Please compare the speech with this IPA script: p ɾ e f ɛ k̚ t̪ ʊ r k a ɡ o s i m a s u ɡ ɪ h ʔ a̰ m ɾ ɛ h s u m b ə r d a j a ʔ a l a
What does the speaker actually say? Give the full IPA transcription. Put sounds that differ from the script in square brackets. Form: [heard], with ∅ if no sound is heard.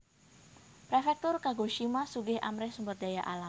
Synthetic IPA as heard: p ɾ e f ɛ k̚ t̪ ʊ r k a ɡ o [ʃ] i m a s u ɡ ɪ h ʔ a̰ m ɾ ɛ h s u m b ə r d a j a ʔ a l a